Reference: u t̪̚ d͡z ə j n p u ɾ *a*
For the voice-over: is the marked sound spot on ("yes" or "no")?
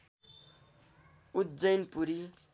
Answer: no